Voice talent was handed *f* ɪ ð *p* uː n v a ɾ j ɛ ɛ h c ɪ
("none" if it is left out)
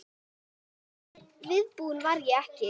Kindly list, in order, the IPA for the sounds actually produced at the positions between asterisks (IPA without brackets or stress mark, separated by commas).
v, p